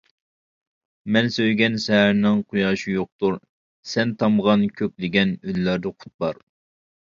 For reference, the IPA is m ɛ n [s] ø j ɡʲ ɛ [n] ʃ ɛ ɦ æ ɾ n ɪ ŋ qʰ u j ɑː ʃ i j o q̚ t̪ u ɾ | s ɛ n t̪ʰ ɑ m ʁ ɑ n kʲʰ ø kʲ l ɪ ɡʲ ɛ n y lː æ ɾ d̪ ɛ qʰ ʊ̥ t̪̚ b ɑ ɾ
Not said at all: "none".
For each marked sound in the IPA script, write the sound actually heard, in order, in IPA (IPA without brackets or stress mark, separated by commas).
s, n